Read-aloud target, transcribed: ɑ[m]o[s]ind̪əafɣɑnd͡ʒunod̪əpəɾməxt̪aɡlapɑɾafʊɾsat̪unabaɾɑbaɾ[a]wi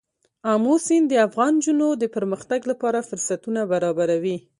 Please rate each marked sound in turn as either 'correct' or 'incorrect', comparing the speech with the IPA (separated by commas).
correct, correct, correct